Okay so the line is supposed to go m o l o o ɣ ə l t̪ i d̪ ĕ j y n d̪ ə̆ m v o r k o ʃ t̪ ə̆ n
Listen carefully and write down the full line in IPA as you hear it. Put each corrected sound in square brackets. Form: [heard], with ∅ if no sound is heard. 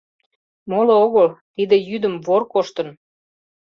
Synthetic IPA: m o l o o ɣ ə l t̪ i d̪ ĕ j y [∅] d̪ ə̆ m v o r k o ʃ t̪ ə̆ n